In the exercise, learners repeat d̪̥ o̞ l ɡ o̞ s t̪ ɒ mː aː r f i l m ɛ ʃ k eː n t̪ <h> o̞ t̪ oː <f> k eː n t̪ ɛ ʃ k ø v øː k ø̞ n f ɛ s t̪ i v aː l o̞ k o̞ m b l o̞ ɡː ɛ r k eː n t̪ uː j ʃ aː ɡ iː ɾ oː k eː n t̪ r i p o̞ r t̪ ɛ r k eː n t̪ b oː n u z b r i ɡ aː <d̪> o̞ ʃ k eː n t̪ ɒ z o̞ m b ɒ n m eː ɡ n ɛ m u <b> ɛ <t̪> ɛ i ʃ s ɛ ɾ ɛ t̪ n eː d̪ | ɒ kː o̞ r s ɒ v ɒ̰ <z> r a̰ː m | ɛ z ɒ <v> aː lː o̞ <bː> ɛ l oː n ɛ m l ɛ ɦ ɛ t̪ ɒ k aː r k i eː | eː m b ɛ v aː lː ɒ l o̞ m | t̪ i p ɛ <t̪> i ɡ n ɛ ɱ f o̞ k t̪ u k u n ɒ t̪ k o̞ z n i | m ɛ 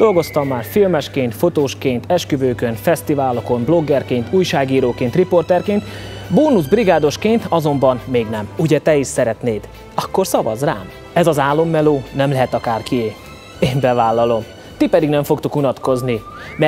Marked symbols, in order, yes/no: no, no, yes, no, yes, yes, no, no, no

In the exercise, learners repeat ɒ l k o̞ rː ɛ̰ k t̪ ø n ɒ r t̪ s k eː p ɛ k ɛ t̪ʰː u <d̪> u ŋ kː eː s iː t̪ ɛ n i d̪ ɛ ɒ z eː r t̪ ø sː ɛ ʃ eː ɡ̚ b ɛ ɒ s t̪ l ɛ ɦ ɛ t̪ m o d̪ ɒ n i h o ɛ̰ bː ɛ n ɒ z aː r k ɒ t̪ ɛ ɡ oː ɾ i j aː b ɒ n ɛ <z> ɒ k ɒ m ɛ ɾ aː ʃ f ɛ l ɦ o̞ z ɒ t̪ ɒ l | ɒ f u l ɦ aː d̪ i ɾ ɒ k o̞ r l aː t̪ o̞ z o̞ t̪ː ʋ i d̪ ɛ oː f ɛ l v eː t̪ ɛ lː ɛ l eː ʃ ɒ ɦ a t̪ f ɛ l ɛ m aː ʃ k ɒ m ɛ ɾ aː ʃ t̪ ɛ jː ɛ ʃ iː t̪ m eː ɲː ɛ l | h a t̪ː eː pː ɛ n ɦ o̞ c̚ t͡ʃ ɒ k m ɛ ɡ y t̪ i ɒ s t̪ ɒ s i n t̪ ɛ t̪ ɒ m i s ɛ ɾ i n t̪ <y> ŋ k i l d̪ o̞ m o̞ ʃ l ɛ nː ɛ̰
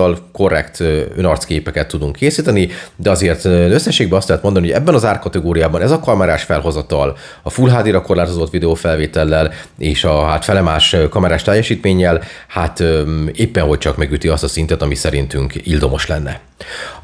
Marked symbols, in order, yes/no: yes, yes, yes

